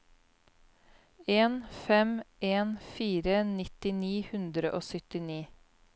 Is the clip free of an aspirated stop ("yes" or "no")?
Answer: yes